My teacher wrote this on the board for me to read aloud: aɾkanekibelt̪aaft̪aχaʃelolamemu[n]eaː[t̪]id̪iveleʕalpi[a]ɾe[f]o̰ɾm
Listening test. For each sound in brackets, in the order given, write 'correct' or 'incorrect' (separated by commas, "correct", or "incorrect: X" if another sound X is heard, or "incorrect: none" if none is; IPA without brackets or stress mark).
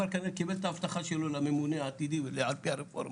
correct, correct, correct, correct